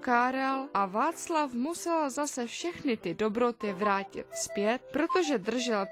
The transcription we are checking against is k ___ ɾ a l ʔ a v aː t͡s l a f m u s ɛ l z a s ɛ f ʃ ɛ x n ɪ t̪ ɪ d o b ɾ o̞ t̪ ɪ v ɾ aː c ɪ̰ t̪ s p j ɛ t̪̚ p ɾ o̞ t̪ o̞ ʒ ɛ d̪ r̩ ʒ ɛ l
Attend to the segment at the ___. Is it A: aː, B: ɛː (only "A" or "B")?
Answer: A